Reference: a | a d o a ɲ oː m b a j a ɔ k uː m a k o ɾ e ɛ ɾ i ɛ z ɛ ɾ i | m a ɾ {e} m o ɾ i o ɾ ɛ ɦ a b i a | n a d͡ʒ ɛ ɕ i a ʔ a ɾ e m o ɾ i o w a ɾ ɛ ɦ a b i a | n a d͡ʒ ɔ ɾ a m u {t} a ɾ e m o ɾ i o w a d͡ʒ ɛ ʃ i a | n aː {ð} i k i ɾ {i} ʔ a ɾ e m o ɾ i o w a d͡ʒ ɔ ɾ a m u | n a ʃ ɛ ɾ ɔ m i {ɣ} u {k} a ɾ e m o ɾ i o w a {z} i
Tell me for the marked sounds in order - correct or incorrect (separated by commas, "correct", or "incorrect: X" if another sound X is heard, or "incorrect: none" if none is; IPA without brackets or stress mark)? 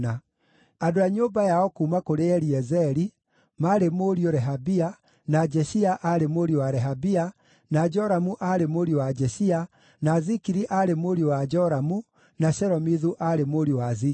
correct, incorrect: ʔ, incorrect: z, correct, incorrect: ð, incorrect: ʔ, correct